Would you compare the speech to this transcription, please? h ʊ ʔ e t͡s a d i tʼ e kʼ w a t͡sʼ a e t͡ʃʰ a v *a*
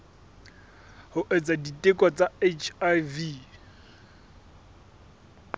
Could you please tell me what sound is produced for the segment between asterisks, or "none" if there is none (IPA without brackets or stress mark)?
i